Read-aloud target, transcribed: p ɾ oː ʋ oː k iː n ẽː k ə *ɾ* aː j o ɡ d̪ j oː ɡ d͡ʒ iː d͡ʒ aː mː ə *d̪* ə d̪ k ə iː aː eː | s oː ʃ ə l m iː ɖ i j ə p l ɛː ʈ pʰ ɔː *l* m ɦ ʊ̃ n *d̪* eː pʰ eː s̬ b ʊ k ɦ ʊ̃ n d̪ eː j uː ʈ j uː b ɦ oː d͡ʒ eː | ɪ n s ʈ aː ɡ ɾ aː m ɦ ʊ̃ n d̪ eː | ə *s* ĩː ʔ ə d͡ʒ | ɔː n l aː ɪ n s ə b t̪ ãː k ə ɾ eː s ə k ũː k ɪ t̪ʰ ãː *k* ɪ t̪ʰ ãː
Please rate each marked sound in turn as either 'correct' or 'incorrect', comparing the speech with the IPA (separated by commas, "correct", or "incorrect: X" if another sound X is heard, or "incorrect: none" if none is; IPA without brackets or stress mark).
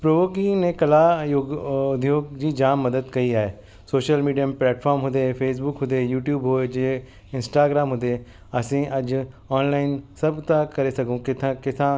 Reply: incorrect: l, correct, incorrect: ɾ, correct, correct, correct